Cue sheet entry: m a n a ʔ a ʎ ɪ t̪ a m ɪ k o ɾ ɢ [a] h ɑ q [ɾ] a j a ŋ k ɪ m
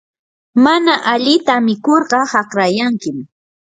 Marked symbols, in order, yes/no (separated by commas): no, yes